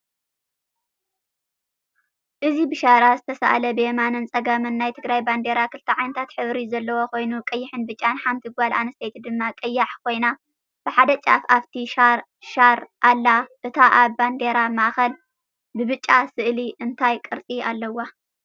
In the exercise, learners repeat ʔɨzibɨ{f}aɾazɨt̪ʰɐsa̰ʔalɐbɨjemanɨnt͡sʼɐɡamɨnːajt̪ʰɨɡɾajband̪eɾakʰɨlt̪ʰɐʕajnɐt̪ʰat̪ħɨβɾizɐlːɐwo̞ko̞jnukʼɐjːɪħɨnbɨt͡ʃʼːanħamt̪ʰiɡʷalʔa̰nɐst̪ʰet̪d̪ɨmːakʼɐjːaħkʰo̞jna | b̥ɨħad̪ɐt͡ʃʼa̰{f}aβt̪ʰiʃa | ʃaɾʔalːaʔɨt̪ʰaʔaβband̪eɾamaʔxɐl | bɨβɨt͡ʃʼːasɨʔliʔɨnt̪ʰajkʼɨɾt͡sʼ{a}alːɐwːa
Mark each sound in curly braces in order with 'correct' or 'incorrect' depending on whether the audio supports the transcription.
incorrect: ʃ, correct, incorrect: i

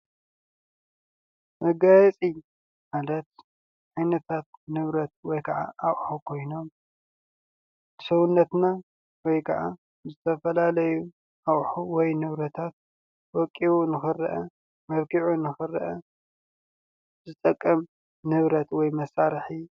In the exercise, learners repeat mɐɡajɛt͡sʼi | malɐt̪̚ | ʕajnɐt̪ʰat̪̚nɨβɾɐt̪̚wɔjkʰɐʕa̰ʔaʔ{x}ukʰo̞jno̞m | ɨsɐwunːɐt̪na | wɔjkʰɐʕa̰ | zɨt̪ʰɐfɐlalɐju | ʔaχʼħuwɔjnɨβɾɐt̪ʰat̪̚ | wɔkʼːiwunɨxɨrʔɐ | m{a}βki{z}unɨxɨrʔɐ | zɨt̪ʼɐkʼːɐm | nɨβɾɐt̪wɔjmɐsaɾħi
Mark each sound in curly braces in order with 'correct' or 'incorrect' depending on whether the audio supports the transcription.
incorrect: ħ, incorrect: ɐ, incorrect: ʕ

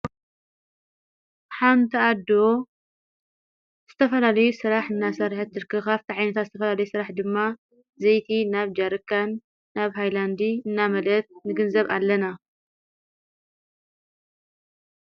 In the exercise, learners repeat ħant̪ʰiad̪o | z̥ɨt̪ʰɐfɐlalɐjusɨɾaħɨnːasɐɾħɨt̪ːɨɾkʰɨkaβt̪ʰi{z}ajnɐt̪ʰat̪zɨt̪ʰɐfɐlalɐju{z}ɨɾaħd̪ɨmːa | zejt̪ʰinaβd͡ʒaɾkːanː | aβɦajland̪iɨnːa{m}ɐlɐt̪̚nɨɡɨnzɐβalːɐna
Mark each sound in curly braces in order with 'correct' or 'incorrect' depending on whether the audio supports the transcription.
incorrect: ʕ, incorrect: s, correct

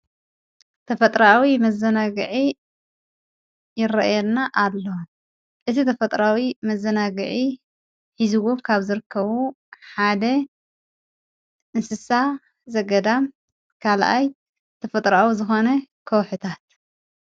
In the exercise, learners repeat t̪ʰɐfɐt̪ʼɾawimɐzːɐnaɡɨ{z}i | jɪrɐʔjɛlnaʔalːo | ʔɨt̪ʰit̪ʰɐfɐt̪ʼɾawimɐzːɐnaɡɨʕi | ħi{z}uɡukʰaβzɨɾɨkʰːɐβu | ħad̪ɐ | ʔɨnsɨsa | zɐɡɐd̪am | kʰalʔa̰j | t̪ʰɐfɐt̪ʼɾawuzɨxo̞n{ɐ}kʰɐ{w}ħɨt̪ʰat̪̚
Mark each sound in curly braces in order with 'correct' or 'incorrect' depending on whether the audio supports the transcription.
incorrect: ʕ, correct, correct, correct

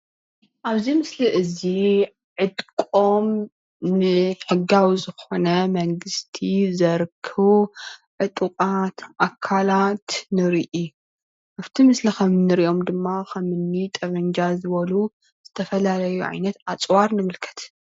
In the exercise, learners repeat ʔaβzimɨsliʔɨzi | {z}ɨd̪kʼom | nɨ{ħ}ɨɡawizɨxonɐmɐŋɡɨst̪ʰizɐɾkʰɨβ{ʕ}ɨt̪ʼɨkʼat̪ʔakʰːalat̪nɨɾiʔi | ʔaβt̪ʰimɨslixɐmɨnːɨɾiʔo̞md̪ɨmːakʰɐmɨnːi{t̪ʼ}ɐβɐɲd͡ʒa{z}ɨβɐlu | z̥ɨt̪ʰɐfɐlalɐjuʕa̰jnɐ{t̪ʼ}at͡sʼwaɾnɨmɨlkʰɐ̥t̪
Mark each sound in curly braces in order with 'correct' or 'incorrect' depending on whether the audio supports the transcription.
incorrect: ʕ, correct, correct, correct, correct, incorrect: t̪

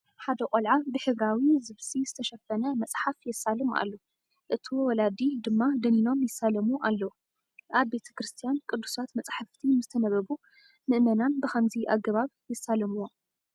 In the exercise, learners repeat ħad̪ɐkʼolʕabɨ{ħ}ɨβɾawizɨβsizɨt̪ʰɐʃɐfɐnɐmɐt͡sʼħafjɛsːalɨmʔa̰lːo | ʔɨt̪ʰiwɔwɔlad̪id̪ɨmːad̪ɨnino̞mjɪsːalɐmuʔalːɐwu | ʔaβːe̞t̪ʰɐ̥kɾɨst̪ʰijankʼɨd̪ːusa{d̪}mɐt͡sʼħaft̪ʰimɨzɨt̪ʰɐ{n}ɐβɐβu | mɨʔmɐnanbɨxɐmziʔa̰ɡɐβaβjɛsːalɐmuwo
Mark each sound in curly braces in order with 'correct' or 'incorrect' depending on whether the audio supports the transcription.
correct, incorrect: t̪, correct

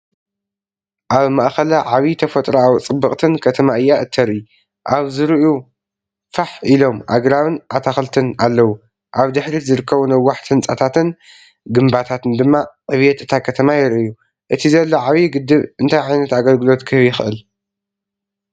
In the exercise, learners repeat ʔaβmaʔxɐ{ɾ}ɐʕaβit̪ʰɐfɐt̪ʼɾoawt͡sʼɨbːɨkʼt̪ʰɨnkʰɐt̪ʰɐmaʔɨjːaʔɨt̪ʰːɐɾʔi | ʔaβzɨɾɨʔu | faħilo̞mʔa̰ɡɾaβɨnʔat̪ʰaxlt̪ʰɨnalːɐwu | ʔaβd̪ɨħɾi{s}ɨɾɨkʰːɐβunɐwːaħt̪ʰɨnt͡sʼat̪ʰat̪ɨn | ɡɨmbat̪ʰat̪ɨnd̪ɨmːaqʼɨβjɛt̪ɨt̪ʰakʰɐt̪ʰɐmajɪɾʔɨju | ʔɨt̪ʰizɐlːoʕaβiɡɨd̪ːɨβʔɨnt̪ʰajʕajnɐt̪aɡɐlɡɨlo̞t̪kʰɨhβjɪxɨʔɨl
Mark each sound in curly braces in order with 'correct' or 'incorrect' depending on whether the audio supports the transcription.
incorrect: l, incorrect: z

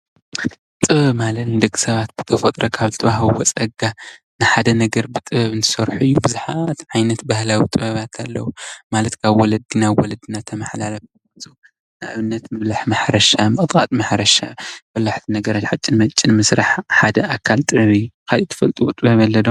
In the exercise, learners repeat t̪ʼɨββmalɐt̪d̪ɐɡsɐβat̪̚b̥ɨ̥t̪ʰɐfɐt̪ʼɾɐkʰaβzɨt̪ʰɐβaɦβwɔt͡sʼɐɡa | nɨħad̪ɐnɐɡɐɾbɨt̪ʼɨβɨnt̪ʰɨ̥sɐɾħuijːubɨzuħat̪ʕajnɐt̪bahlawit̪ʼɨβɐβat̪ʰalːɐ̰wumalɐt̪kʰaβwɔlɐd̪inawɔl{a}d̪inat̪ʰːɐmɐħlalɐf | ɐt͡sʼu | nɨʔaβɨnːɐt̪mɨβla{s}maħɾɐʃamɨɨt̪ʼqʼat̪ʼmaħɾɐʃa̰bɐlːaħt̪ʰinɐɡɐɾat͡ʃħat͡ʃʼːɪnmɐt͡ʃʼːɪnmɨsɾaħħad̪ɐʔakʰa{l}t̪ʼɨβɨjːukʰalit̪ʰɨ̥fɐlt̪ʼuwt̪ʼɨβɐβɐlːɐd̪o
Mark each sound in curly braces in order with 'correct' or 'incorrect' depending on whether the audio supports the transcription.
incorrect: ɐ, incorrect: ħ, correct

